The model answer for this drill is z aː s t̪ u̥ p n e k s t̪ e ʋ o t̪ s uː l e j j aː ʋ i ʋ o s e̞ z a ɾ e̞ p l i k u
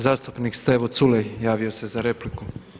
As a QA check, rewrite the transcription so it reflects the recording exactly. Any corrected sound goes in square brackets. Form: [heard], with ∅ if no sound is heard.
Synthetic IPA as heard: z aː s t̪ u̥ p n [i] k s t̪ e ʋ o t̪ s [u] l e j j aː ʋ i [∅] o s e̞ z a ɾ e̞ p l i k u